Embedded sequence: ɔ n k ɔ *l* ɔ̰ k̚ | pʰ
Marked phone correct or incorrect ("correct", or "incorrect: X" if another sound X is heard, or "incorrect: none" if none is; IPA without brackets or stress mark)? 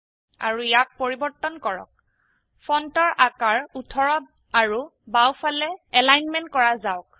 incorrect: ɹ